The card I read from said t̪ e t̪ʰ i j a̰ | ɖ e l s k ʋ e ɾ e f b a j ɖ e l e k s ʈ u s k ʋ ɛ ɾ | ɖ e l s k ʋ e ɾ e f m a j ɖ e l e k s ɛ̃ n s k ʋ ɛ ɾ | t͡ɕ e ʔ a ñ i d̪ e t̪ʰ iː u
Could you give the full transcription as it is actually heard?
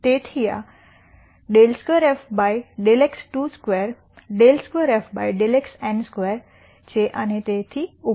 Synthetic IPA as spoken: t̪ e t̪ʰ i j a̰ | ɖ e l s k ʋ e ɾ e f b a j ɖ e l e k s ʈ u s k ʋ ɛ ɾ | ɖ e l s k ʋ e ɾ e f b a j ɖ e l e k s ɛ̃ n s k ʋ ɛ ɾ | t͡ɕ e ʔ a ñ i t̪ e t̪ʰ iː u